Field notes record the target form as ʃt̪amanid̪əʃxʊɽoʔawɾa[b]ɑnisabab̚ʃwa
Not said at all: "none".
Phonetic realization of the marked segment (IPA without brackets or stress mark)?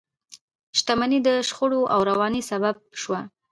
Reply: w